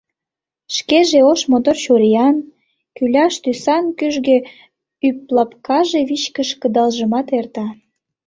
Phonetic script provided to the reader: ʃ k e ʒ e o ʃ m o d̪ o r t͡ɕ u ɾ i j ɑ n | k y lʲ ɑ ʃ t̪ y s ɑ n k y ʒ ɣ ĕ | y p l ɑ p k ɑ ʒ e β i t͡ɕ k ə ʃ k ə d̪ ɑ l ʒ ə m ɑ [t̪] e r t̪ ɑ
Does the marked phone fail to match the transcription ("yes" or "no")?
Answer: no